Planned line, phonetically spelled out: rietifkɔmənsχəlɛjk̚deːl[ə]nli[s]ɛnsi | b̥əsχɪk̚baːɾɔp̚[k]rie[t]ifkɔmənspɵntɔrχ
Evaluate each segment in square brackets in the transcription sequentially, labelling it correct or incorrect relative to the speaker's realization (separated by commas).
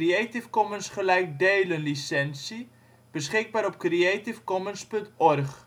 correct, correct, correct, correct